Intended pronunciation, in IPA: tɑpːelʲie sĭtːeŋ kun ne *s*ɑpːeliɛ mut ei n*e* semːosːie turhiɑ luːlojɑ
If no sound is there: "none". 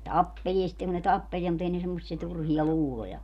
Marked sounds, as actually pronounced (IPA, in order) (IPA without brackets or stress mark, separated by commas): t, e